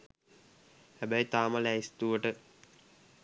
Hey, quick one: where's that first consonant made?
throat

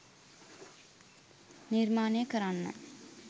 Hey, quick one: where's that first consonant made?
tongue tip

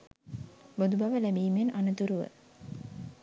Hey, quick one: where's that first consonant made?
lips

